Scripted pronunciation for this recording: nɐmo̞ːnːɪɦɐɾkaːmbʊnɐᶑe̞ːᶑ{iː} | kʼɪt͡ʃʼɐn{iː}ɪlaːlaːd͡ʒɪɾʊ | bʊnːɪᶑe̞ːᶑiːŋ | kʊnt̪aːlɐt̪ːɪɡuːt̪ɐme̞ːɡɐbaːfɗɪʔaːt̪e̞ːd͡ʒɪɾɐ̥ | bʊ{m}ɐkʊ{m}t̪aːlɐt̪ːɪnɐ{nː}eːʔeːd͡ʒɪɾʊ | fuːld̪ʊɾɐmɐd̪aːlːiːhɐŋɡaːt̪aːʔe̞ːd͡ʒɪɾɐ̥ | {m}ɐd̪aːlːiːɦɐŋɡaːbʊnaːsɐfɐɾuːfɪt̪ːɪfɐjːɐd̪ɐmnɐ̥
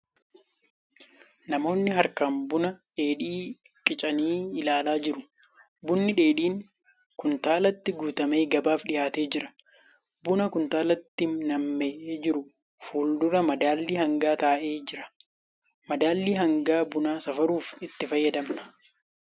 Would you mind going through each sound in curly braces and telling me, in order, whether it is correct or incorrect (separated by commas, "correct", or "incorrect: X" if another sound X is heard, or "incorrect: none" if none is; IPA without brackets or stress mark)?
correct, correct, incorrect: n, incorrect: n, incorrect: mː, correct